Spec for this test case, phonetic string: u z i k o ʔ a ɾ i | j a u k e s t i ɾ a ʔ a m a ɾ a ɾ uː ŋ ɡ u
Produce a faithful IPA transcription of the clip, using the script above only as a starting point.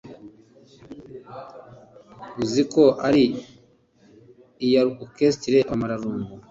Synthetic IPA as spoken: u z i k o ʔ a ɾ i | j a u k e s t i ɾ e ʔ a m a ɾ a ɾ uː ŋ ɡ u